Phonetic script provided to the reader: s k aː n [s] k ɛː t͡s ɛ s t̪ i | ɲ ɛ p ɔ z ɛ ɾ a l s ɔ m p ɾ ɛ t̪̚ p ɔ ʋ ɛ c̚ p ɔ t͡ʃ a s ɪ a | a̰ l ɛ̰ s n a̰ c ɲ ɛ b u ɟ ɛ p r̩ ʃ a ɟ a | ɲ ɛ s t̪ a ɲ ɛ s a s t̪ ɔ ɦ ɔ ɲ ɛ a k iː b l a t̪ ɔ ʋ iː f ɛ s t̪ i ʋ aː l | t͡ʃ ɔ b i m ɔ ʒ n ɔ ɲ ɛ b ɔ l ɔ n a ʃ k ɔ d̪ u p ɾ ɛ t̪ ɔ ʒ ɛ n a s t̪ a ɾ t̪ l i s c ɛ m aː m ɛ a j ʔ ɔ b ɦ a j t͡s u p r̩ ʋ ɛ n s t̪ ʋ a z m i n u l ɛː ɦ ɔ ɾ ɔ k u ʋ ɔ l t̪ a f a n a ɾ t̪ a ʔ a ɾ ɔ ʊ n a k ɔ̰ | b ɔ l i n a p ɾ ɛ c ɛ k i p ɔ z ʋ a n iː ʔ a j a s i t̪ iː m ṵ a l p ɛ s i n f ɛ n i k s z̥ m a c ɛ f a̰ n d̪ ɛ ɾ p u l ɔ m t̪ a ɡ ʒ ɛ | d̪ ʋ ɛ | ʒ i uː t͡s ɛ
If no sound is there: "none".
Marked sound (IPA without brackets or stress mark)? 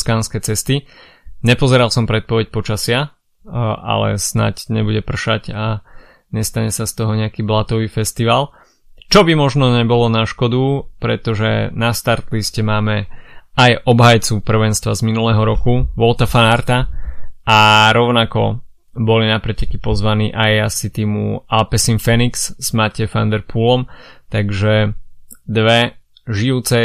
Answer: s